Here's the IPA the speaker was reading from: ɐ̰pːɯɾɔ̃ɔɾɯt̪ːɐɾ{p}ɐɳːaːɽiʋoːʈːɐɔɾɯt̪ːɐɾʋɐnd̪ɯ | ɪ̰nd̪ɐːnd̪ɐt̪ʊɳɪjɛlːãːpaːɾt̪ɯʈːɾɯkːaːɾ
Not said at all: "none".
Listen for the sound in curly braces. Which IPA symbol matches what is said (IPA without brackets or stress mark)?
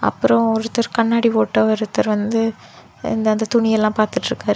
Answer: k